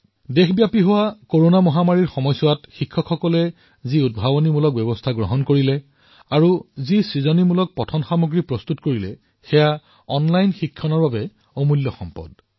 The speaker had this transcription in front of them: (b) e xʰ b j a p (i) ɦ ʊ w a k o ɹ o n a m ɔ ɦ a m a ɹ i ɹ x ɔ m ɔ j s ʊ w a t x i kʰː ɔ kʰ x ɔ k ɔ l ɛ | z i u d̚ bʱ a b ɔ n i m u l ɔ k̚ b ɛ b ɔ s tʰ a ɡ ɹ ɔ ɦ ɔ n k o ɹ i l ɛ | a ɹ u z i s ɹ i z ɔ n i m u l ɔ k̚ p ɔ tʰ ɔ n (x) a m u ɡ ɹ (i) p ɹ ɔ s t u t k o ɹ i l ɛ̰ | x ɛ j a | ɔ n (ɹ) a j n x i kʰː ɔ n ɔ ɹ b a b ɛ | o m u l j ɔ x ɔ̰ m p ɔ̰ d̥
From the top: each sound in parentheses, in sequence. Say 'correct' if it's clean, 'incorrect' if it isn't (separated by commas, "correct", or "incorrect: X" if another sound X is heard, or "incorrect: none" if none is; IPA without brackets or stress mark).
incorrect: d, correct, correct, correct, incorrect: l